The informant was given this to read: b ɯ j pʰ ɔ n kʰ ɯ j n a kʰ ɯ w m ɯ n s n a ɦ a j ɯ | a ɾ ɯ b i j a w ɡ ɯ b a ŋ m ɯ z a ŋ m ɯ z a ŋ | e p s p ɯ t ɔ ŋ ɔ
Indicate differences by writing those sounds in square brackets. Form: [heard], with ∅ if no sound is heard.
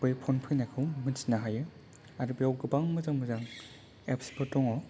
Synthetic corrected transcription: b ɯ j pʰ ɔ n [pʰ] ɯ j n a kʰ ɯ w m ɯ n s n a ɦ a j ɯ | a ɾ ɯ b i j a w ɡ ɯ b a ŋ m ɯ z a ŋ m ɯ z a ŋ | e p s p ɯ t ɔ ŋ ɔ